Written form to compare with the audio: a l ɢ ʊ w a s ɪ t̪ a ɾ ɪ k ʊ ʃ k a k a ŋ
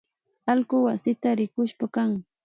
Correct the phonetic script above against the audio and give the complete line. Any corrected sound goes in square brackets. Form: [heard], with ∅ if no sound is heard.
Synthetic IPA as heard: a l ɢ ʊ w a s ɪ t̪ a ɾ ɪ k ʊ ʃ [p] a k a ŋ